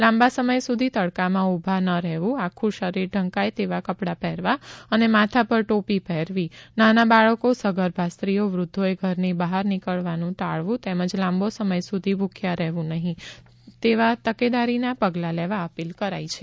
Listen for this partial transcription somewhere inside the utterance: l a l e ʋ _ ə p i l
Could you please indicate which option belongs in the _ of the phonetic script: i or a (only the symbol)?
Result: a